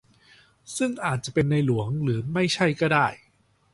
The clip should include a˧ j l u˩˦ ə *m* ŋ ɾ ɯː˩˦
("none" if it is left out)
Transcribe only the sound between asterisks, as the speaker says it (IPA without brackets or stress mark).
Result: none